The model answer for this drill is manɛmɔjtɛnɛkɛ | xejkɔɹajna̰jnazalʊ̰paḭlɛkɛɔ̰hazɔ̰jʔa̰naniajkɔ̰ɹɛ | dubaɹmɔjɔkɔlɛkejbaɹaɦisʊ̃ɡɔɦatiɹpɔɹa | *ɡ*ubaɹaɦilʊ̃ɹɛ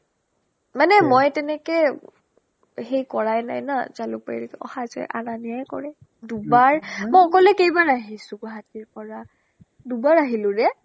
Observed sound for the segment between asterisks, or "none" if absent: d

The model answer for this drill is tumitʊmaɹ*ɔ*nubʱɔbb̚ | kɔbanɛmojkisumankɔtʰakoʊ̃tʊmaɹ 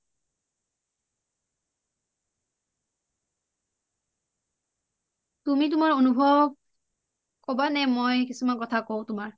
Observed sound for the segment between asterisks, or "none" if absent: o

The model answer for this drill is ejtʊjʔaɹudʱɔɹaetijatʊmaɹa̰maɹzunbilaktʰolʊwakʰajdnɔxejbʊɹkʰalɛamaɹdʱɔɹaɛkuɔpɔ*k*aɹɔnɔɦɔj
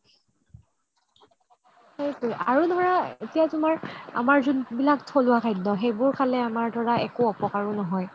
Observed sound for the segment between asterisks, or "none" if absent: k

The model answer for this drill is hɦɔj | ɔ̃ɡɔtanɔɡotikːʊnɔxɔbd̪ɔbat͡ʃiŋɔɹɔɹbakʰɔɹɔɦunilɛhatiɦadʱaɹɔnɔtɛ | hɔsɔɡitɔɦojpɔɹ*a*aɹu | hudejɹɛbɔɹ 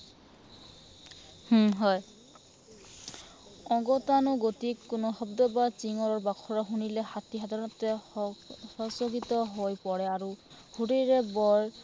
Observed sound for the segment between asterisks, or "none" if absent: ɛ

